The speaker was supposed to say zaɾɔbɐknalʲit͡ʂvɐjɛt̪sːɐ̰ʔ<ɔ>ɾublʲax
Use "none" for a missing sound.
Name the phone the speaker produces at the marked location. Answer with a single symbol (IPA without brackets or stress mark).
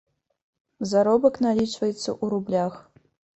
u